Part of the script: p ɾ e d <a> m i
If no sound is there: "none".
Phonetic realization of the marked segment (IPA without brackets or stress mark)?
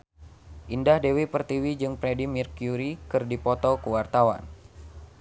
i